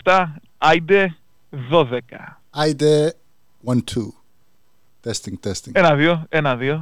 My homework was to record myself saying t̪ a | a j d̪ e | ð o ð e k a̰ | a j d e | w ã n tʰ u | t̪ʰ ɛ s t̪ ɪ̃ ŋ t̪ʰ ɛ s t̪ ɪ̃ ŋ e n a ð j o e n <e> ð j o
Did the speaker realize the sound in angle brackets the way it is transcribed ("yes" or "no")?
no